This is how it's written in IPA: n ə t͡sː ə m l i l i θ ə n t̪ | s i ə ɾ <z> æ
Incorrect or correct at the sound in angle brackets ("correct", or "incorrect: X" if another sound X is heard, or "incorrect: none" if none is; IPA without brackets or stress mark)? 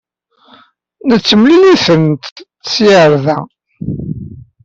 incorrect: ð